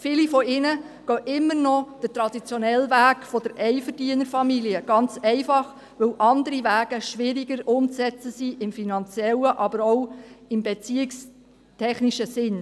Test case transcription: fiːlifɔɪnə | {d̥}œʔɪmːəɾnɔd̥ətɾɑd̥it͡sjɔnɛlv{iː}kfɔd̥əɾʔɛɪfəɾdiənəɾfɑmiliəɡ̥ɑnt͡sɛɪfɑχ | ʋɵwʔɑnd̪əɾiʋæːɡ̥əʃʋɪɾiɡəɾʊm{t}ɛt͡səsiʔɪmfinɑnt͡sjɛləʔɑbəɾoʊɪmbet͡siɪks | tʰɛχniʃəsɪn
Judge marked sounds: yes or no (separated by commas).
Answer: no, no, no